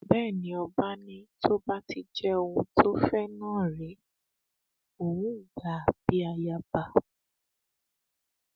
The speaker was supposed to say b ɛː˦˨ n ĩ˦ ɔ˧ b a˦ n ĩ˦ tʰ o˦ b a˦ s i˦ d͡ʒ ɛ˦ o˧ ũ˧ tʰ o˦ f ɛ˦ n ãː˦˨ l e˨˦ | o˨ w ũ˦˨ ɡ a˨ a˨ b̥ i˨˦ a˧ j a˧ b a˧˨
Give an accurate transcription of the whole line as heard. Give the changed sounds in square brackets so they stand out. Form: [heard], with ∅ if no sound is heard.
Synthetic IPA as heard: b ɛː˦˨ n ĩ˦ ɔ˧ b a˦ n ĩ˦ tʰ o˦ b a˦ [t] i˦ d͡ʒ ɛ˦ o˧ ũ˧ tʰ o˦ f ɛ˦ n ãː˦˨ [ɾ] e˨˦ | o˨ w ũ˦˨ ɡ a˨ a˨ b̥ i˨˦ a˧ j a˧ b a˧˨